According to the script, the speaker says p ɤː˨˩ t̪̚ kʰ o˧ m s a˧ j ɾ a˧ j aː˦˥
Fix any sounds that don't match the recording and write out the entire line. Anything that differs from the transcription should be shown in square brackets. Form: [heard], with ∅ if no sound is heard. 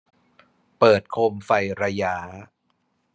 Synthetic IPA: p ɤː˨˩ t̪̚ kʰ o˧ m [f] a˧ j ɾ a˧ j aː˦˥